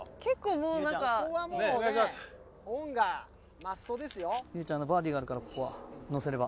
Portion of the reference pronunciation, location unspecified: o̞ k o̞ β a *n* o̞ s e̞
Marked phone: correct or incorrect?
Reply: correct